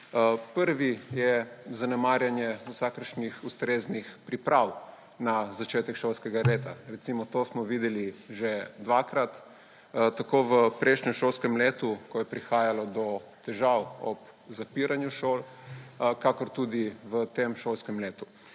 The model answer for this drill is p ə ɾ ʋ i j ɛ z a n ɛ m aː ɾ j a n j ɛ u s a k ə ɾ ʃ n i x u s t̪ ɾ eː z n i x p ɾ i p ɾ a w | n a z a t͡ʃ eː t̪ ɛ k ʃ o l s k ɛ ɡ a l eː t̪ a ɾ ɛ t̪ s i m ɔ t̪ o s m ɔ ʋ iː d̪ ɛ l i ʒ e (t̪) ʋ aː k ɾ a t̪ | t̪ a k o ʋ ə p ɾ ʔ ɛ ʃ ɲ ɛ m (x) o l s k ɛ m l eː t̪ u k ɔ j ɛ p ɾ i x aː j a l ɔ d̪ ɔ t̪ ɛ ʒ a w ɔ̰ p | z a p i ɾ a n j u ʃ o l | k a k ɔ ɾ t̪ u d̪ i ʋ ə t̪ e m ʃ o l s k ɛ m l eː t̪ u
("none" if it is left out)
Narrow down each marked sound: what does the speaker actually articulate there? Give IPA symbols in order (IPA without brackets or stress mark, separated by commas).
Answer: d̪, ʃ